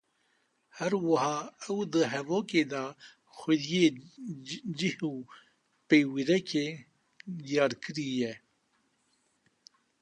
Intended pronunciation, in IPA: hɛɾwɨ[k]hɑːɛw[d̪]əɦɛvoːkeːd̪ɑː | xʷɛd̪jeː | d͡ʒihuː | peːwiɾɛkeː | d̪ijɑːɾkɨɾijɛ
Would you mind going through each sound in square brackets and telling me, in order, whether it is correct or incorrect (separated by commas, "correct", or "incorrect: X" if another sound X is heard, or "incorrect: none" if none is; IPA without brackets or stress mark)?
incorrect: none, correct